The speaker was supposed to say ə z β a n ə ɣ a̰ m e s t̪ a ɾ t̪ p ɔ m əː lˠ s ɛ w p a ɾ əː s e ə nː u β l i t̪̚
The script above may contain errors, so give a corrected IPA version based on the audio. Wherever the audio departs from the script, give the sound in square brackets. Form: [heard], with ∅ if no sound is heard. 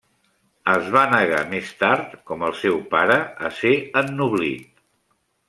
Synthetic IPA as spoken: ə z β a n ə ɣ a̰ m e s t̪ a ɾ t̪ [k] ɔ m [ə] lˠ s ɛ w p a ɾ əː s e ə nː u β l i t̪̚